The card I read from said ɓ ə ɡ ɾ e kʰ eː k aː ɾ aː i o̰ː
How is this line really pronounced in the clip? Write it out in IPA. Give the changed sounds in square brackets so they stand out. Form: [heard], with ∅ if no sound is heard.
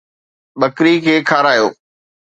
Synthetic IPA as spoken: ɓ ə [k] ɾ [i] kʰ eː [kʰ] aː ɾ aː [j] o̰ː